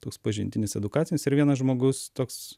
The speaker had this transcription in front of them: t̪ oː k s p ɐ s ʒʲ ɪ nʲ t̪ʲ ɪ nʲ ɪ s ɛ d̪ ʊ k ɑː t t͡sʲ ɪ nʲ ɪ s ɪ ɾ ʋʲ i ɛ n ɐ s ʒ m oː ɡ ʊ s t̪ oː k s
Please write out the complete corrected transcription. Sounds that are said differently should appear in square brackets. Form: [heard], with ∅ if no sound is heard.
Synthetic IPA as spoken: t̪ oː k s p ɐ [∅] ʒʲ ɪ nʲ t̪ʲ ɪ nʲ ɪ s ɛ d̪ ʊ k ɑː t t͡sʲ ɪ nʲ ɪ s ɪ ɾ ʋʲ i ɛ n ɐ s ʒ m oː ɡ ʊ s t̪ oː k s